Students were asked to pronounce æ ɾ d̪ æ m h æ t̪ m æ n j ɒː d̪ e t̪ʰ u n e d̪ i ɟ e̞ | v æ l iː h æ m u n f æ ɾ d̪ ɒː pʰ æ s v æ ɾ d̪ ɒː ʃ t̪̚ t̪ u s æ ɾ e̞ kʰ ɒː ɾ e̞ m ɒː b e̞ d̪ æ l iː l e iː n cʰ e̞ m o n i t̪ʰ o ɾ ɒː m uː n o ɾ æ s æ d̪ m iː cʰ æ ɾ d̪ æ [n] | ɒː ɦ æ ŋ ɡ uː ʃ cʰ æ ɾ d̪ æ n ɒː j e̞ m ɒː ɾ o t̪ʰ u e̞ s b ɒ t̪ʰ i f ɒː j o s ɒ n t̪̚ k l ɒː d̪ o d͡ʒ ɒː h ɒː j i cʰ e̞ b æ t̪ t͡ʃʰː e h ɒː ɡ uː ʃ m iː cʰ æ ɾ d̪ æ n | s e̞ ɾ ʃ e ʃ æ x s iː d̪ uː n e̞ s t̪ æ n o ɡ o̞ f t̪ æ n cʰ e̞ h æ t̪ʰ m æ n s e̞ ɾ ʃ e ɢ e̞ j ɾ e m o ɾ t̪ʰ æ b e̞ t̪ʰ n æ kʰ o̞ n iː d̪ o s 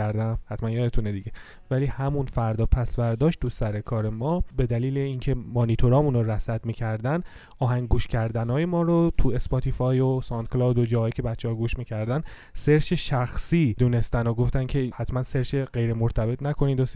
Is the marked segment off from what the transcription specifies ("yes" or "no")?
no